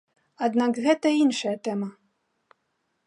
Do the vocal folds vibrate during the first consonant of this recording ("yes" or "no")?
yes